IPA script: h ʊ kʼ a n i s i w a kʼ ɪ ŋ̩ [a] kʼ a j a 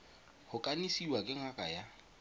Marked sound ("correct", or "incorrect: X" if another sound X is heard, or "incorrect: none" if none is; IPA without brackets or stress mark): correct